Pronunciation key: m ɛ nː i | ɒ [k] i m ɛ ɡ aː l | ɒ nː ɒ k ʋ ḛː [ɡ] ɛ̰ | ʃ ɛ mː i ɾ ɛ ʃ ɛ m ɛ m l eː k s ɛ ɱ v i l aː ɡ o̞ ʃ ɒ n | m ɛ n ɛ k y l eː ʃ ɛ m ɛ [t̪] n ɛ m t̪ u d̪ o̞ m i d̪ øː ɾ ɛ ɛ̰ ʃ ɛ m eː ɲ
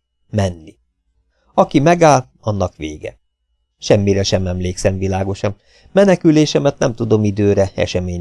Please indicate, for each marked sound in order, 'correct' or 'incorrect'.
correct, correct, correct

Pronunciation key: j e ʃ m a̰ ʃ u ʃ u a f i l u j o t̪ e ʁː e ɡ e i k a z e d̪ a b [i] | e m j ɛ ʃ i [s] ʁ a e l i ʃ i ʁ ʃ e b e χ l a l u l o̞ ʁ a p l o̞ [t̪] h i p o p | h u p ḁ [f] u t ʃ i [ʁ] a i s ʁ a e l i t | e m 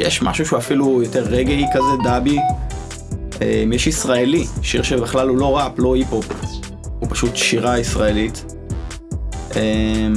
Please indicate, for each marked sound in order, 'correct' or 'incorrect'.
correct, correct, incorrect: none, incorrect: ʃ, correct

